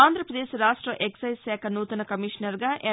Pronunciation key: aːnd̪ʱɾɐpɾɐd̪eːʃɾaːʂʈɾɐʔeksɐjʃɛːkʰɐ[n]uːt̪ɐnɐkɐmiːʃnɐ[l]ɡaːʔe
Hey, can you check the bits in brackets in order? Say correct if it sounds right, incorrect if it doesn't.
correct, incorrect

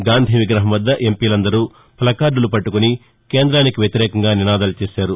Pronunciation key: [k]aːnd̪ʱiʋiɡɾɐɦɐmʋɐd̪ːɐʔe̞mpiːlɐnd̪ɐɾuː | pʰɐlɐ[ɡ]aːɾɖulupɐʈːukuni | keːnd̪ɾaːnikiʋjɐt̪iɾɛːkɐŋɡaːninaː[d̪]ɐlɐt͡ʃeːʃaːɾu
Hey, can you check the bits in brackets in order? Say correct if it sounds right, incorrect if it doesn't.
incorrect, incorrect, correct

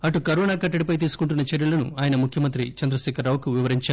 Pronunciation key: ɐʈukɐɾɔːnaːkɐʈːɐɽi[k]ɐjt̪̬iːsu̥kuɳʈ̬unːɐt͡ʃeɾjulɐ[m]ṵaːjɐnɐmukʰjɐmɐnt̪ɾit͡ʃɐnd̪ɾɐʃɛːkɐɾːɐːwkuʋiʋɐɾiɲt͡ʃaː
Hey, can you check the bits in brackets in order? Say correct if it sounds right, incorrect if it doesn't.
incorrect, incorrect

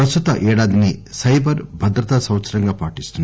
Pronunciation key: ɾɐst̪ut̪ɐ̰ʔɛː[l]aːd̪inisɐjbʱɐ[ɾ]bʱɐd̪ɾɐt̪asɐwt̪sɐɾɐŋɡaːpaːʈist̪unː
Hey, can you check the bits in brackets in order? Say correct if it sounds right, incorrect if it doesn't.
incorrect, correct

